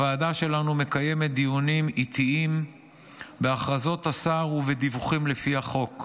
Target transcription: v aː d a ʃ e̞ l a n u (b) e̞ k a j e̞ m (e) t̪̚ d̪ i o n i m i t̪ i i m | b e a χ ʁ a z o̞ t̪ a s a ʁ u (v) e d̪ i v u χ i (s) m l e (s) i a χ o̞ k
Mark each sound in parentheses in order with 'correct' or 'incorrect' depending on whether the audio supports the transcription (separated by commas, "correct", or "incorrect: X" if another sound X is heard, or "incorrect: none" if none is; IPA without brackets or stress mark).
incorrect: m, correct, correct, incorrect: none, incorrect: f